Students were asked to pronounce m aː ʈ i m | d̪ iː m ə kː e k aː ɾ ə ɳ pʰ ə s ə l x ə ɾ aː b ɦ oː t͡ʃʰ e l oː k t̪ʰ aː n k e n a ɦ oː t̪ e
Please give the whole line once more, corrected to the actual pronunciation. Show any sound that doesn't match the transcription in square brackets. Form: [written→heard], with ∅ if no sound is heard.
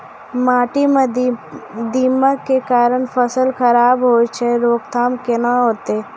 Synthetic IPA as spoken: m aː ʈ i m | d̪ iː m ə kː e k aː ɾ ə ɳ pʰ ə s ə l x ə ɾ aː b ɦ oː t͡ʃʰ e [l→ɾ] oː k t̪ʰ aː [n→m] k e n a ɦ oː t̪ e